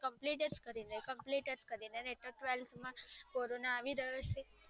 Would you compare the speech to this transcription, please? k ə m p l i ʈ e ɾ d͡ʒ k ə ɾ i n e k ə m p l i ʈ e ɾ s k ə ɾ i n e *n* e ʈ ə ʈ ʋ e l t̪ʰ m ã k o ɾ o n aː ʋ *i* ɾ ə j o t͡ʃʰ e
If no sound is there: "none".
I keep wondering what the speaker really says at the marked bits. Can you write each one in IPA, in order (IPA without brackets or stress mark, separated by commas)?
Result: n, i